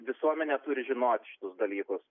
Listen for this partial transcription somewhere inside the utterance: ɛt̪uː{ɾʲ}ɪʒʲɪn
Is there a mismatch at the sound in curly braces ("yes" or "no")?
no